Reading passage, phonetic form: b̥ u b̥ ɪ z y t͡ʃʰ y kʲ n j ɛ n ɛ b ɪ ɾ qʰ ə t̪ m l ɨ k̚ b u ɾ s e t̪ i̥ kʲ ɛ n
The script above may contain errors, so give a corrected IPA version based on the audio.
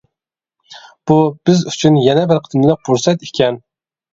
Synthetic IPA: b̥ u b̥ ɪ z y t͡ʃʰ y n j ɛ n ɛ b ɪ ɾ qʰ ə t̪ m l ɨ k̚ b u ɾ s ɛ t̪ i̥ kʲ ɛ n